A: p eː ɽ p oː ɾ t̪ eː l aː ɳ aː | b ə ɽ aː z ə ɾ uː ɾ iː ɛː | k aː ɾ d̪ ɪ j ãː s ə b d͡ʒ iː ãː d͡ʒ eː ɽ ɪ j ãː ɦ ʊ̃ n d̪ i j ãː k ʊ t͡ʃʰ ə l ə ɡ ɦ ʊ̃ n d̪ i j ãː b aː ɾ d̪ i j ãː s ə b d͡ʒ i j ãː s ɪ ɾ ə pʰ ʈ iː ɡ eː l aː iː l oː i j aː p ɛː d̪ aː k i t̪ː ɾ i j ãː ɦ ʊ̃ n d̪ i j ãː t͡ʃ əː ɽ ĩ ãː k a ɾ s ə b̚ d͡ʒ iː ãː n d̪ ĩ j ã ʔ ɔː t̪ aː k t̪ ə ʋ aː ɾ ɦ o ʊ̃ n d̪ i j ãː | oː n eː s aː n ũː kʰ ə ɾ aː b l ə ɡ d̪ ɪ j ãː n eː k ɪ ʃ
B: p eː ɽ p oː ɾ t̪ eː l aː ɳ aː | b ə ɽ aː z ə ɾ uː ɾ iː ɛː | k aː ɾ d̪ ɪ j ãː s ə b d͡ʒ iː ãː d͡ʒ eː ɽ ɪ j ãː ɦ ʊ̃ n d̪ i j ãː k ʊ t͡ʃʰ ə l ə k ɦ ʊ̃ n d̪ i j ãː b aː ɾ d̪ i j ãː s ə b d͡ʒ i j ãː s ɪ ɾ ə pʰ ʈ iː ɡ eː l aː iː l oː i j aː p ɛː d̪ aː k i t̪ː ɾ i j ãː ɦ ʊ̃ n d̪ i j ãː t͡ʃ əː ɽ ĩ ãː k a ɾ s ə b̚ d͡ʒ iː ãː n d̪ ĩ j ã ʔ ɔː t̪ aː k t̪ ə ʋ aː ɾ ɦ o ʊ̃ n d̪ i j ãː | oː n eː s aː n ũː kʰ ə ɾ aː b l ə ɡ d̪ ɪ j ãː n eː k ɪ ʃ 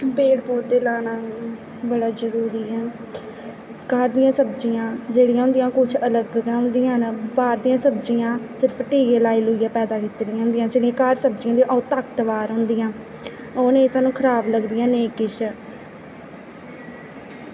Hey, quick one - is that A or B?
A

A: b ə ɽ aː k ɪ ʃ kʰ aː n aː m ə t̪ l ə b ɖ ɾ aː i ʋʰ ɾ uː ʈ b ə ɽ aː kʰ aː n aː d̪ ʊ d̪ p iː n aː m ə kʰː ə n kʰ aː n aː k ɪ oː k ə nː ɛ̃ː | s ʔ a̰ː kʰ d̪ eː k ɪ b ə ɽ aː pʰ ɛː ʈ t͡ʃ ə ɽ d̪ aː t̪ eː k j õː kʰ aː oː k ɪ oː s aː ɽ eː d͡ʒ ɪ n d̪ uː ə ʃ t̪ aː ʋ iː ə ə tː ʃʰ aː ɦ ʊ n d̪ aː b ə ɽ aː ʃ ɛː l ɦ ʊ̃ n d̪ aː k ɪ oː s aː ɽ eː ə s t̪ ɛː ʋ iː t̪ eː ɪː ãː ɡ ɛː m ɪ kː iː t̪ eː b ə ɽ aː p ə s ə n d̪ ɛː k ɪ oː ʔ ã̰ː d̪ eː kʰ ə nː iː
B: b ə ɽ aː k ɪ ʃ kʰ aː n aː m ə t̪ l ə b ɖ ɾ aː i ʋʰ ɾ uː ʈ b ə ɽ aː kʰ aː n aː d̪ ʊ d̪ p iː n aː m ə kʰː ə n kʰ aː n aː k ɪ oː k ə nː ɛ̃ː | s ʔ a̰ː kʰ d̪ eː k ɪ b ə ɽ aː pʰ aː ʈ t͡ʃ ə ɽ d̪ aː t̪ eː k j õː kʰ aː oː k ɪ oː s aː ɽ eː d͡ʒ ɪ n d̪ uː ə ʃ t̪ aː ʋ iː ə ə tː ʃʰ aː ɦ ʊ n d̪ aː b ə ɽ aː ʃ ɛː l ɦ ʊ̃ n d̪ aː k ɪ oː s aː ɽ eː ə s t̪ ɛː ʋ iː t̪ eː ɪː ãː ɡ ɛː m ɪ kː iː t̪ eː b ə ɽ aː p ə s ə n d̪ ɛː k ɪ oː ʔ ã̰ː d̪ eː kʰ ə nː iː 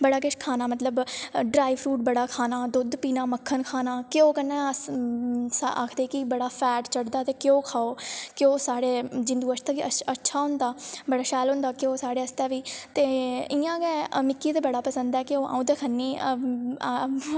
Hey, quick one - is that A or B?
A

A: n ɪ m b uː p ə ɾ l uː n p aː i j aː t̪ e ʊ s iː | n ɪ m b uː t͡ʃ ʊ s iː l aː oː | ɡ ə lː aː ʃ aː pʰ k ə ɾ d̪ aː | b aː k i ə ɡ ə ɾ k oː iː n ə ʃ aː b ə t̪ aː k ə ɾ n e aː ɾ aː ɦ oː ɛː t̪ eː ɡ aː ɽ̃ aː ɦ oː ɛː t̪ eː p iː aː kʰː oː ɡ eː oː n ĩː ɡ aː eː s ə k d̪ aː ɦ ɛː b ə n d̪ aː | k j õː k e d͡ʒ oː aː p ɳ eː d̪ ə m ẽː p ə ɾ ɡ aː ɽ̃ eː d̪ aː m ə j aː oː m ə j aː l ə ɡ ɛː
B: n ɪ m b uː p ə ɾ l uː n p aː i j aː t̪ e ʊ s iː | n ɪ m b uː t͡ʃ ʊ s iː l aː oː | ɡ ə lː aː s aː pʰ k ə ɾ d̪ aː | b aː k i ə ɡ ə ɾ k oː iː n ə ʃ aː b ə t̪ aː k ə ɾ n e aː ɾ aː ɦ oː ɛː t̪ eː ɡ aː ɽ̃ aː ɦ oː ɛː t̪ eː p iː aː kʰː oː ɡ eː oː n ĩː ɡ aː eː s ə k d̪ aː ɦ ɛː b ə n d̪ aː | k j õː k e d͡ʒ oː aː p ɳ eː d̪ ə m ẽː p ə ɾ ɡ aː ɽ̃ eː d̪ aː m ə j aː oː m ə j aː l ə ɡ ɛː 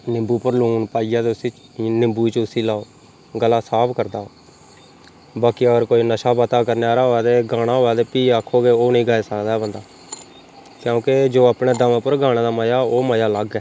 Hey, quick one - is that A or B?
B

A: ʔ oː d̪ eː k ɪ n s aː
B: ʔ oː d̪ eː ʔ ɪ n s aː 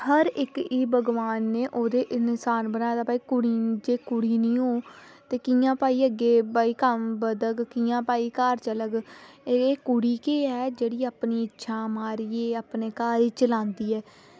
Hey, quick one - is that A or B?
B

